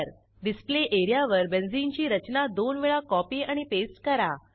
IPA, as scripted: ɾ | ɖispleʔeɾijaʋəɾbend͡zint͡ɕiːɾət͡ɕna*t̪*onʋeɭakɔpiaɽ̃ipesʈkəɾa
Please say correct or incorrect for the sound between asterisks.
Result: incorrect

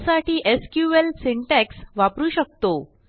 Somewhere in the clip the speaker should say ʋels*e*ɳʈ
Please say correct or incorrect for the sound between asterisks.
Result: incorrect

